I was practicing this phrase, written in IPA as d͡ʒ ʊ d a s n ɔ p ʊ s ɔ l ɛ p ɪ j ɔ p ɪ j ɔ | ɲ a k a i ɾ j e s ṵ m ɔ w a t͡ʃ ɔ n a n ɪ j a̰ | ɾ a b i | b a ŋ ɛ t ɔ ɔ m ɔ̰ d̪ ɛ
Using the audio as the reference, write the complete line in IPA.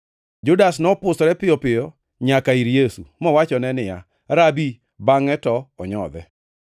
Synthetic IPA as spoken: d͡ʒ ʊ d a s n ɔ p ʊ s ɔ ɾ ɛ p ɪ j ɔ p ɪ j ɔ | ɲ a k a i ɾ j e s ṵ m ɔ w a t͡ʃ ɔ n ɛ n ɪ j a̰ | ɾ a b i | b a ŋ ɛ t ɔ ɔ ɲ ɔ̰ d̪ ɛ